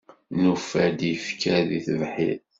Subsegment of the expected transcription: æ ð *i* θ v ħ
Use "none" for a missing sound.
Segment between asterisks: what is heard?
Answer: i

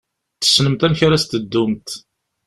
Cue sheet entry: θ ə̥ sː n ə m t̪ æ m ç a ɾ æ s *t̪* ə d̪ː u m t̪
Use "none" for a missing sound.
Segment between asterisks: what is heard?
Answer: t̪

